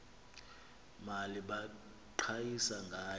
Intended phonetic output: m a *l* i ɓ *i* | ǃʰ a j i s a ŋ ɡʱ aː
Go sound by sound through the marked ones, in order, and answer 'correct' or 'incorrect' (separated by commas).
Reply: correct, incorrect